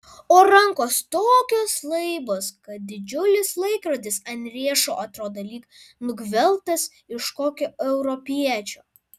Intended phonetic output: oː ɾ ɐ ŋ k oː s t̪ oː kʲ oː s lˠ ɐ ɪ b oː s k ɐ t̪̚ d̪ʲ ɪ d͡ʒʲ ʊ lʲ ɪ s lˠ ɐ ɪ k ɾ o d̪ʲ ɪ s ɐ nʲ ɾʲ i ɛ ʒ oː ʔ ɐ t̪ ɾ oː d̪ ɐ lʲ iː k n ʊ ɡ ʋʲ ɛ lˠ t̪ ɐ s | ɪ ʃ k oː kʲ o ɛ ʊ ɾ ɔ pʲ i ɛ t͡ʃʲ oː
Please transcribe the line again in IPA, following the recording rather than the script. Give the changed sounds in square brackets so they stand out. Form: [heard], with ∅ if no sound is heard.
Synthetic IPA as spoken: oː ɾ ɐ ŋ k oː s t̪ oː kʲ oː s lˠ ɐ ɪ b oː s k ɐ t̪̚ d̪ʲ ɪ d͡ʒʲ ʊ lʲ ɪ s lˠ ɐ ɪ k ɾ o d̪ʲ ɪ s ɐ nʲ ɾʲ i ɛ [ʃ] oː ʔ ɐ t̪ ɾ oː d̪ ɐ lʲ iː k n ʊ ɡ ʋʲ ɛ lˠ t̪ ɐ s | ɪ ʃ k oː kʲ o ɛ ʊ ɾ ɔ pʲ i ɛ t͡ʃʲ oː